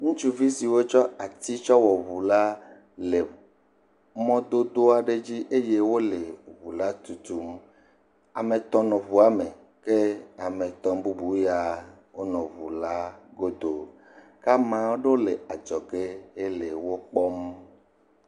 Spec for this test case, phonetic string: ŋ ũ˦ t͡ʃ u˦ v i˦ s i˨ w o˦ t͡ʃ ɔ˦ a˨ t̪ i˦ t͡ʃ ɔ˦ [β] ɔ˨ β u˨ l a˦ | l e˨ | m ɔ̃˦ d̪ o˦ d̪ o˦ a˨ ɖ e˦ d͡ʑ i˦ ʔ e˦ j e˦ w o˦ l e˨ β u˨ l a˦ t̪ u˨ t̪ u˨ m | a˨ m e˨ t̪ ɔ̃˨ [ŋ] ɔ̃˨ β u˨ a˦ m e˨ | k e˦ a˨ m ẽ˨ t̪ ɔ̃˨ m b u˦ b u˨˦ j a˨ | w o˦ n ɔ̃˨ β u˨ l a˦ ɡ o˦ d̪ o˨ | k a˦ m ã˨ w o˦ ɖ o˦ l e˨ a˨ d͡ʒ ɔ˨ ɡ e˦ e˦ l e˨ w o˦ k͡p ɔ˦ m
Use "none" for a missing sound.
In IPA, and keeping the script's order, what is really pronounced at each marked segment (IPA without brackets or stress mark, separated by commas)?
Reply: w, n